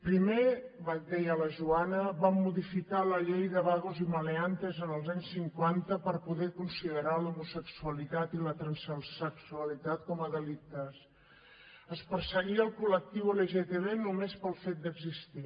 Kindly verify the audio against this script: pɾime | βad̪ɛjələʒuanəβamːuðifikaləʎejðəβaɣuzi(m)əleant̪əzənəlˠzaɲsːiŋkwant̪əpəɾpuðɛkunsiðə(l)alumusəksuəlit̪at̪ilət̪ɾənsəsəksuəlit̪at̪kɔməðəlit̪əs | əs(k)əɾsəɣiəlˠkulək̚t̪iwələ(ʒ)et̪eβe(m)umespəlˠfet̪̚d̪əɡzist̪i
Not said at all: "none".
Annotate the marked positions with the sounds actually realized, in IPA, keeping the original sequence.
m, ɾ, p, ʒ, n

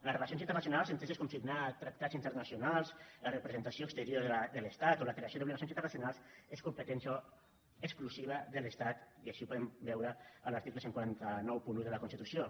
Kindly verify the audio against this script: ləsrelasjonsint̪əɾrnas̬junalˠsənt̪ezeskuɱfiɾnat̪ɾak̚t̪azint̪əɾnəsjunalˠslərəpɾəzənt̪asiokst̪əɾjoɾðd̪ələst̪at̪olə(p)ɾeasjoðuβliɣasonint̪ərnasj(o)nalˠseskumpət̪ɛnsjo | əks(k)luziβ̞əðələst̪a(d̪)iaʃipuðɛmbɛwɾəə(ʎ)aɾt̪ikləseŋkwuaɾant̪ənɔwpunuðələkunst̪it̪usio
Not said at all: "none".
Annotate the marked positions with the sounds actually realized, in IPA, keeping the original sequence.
k, u, k, t̪, l

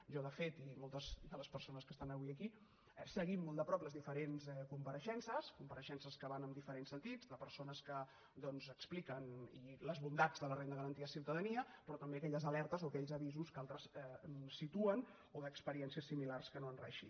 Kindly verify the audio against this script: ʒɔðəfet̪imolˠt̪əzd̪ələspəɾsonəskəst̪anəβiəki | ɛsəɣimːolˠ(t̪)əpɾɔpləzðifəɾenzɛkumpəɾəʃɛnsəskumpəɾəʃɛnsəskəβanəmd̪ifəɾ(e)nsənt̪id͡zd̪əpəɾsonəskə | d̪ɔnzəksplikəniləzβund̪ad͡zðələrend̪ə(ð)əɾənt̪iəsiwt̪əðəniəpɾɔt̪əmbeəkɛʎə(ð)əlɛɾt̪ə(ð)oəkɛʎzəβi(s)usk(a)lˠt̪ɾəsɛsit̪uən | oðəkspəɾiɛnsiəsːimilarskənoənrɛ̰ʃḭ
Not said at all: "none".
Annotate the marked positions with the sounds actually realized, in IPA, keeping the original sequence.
d̪, e, ɣ, z, z, z, a

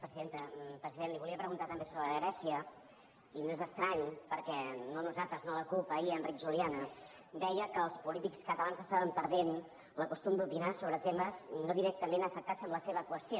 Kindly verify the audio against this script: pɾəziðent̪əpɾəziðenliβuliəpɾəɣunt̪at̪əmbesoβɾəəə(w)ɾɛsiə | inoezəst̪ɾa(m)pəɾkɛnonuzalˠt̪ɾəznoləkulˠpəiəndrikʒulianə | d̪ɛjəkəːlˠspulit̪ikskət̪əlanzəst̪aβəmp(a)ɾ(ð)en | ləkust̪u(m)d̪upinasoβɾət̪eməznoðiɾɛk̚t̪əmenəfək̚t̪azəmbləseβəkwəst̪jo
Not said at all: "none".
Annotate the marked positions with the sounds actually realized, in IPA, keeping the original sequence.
ɣ, ɲ, ə, ð, m

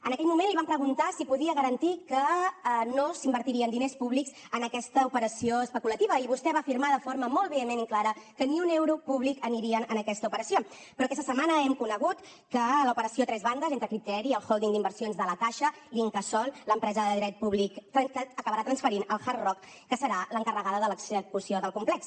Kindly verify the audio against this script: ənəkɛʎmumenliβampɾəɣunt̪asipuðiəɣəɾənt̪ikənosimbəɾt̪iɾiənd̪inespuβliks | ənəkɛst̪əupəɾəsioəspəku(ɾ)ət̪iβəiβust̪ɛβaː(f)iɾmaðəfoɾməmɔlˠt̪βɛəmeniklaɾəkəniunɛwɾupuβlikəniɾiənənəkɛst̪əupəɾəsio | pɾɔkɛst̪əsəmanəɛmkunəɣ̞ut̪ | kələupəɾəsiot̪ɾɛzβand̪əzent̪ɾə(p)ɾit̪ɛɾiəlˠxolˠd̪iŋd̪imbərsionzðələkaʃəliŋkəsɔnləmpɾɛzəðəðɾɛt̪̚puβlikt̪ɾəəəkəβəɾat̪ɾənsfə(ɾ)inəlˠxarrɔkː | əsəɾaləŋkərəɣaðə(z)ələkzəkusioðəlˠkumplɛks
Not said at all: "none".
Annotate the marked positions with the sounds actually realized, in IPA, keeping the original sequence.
l, f, k, ɾ, ð

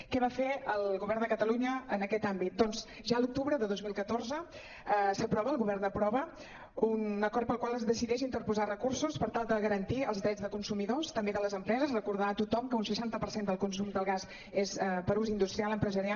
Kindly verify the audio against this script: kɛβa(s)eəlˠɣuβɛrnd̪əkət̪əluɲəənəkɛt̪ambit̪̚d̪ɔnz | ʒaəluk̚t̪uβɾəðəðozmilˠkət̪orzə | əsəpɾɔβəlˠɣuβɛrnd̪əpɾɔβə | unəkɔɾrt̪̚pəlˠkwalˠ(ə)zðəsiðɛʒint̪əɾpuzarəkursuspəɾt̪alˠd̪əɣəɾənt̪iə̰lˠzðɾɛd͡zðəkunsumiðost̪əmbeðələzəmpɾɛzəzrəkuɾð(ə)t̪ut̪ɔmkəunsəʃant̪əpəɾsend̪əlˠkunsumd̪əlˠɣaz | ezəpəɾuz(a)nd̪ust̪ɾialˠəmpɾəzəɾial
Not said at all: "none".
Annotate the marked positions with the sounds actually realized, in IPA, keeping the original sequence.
f, ə, a, i

